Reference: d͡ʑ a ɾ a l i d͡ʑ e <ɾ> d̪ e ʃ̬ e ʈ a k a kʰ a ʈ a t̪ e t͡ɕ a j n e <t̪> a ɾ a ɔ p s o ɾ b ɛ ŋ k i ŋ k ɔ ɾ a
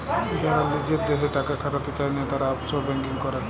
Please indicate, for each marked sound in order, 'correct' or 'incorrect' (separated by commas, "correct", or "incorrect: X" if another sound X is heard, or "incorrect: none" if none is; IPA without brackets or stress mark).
correct, correct